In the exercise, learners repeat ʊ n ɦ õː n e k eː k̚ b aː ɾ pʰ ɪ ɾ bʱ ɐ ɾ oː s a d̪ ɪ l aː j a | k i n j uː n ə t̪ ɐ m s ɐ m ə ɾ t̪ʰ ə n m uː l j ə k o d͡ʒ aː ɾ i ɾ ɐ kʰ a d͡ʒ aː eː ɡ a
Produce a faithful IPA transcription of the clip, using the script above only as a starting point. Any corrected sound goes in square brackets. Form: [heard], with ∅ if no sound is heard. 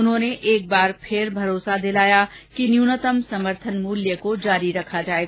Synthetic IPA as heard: ʊ n ɦ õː n e [ʔ] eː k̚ b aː ɾ pʰ ɪ ɾ bʱ ɐ ɾ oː s a d̪ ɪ l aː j a | k i n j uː n ə t̪ [ə] m s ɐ m ə ɾ t̪ʰ ə n m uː l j ə k o d͡ʒ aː ɾ i ɾ ɐ kʰ a d͡ʒ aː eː ɡ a